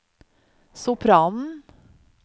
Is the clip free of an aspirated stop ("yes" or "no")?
no